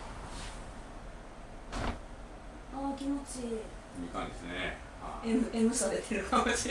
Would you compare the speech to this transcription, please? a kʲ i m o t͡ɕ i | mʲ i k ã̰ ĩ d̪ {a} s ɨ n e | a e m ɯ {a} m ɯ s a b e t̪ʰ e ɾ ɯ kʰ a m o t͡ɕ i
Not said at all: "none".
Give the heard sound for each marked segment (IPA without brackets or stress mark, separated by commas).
e, e